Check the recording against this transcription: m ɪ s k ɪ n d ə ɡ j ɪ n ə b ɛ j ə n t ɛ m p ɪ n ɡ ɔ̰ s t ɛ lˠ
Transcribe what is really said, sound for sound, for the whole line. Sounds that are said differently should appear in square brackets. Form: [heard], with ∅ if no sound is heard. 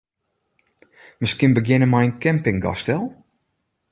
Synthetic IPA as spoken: m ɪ s k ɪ n [b] ə ɡ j ɪ n ə [m] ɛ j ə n [k] ɛ m p ɪ [ŋ] ɡ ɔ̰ s t ɛ lˠ